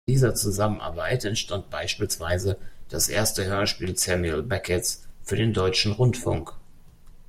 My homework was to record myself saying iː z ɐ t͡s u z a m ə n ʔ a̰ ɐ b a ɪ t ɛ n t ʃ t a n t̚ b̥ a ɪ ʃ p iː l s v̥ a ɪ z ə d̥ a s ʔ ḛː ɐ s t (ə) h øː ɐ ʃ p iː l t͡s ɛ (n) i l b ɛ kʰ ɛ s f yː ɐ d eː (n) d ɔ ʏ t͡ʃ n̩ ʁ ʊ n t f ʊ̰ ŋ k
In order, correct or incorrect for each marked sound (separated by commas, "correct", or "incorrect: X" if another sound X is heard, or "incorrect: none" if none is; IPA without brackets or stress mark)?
correct, incorrect: m, correct